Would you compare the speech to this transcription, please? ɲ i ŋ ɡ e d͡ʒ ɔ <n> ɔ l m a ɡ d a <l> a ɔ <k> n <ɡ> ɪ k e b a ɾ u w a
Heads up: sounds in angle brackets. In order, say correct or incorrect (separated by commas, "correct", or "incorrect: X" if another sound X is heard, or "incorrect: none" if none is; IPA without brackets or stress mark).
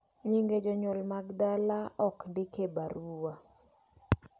incorrect: ɲ, correct, correct, incorrect: d